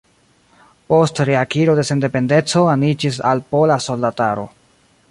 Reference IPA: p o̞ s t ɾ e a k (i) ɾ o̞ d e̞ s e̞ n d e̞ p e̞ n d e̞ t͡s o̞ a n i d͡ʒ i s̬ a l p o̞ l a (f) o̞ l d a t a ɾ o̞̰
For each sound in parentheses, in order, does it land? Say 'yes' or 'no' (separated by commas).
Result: yes, no